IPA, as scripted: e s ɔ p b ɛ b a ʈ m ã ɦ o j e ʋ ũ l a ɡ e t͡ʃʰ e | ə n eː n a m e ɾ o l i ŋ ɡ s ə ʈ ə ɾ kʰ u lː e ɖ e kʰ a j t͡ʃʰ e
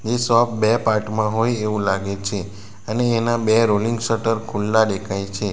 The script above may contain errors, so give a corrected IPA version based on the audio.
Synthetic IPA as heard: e s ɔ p b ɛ p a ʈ m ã ɦ o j e ʋ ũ l a ɡ e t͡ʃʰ e | ə n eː n a b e ɾ o l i ŋ ɡ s ə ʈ ə ɾ kʰ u lː a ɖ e kʰ a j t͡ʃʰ e